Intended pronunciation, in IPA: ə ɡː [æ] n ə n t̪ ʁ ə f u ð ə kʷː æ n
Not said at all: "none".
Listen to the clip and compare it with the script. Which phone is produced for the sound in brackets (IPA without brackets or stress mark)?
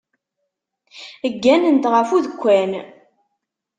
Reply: æ